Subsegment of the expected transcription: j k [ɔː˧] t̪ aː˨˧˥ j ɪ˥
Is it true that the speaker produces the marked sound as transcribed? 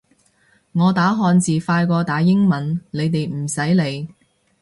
yes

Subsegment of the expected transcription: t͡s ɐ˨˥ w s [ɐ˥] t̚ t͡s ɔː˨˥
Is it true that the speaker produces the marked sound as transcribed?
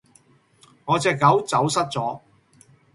yes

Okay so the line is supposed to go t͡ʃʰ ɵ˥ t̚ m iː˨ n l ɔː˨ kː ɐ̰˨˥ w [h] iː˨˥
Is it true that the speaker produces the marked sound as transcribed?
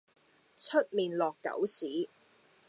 no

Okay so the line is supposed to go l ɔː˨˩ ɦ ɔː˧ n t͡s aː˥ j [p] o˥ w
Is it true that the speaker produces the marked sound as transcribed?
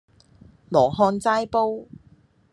yes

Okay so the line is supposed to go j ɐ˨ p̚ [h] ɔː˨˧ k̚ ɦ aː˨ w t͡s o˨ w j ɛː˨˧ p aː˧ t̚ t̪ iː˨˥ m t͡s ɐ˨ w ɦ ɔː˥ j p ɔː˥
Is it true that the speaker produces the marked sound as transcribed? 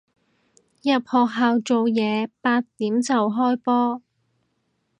yes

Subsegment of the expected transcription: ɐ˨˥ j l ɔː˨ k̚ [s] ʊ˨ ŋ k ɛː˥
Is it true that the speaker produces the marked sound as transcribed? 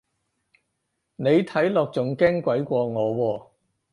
no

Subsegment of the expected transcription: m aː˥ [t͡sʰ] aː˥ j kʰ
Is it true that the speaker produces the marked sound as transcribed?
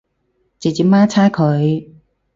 yes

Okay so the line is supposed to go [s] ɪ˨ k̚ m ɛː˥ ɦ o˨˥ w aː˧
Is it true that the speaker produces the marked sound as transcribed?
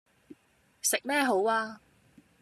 yes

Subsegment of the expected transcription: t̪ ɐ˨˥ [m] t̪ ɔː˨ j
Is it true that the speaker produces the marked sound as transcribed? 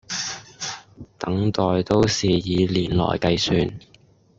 no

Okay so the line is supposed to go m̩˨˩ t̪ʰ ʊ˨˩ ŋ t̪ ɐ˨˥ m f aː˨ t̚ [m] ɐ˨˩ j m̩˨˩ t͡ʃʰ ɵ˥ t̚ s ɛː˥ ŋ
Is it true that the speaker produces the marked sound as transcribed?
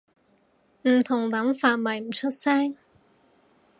yes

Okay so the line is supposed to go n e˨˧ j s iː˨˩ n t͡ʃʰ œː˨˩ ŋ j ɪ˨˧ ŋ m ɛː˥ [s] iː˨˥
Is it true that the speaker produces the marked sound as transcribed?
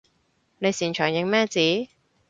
no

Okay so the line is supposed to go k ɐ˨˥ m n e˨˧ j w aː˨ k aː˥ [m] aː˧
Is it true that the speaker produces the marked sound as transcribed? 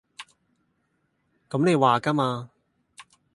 yes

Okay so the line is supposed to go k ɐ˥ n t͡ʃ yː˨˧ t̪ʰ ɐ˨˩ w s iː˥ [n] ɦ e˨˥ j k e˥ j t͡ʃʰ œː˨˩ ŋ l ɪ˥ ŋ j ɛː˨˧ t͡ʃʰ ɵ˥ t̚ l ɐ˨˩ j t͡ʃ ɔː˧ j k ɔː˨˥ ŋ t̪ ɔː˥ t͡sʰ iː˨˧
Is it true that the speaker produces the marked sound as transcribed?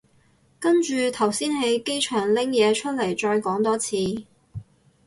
yes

